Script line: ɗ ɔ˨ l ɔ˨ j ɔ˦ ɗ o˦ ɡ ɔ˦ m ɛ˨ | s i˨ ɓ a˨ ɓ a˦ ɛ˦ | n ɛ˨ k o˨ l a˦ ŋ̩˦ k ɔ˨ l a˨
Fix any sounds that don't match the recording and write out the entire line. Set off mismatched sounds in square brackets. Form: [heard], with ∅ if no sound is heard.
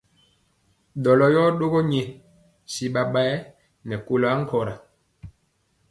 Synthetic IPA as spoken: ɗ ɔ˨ l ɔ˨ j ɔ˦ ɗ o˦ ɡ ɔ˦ [ɲ] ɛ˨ | s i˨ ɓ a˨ ɓ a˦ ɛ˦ | n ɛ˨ k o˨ l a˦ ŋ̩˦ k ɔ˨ [ɾ] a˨